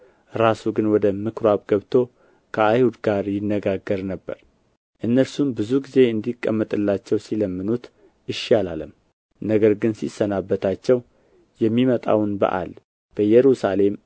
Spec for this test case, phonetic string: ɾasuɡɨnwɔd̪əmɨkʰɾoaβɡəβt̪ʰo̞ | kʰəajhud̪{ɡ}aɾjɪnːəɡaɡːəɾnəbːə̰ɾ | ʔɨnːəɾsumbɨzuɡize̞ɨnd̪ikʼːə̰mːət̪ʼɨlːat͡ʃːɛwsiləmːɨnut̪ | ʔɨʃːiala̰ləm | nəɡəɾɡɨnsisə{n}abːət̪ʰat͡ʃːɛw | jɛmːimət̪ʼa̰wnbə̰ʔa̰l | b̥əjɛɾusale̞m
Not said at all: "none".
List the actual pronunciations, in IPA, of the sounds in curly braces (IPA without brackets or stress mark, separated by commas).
ɡ, n